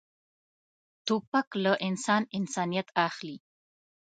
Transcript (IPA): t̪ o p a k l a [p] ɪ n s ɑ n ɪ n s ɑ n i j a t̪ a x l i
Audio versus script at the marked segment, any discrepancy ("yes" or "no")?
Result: yes